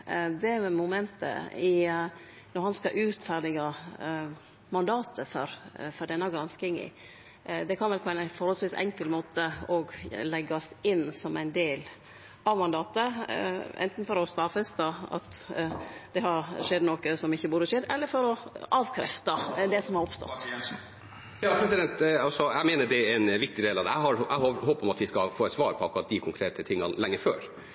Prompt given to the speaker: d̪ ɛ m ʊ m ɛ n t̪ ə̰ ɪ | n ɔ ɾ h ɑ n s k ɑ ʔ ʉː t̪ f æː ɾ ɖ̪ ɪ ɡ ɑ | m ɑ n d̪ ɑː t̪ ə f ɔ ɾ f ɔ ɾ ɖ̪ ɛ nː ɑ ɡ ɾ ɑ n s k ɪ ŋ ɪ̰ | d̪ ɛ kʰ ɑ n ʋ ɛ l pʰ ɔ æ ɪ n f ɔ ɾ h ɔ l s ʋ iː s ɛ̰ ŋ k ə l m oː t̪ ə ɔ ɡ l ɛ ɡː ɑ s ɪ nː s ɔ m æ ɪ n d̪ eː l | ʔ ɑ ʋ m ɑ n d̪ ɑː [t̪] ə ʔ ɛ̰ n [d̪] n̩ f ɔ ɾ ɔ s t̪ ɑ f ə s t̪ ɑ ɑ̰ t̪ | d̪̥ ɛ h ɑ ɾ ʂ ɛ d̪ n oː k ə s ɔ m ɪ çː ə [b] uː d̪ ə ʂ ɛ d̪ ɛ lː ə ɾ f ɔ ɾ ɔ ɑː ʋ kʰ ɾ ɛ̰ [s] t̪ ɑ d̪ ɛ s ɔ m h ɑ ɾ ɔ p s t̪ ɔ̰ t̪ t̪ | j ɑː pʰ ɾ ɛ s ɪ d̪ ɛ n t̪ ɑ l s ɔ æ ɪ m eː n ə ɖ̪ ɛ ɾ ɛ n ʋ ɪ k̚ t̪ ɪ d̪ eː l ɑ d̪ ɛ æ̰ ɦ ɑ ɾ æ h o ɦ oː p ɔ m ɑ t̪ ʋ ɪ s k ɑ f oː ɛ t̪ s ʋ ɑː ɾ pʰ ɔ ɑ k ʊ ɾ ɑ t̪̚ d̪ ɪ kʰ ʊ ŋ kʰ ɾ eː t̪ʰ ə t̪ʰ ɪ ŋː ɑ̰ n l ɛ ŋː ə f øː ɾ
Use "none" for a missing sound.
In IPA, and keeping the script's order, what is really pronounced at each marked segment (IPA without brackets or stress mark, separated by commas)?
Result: t̪, t̪, b, f